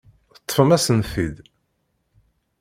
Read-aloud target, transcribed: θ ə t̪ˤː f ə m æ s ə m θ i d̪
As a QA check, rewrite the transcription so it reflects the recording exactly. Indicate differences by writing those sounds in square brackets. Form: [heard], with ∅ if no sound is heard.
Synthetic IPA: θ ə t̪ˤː f ə m æ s ə [n] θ i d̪